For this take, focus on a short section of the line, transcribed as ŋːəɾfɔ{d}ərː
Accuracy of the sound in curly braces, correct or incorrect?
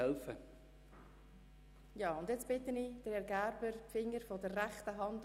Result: correct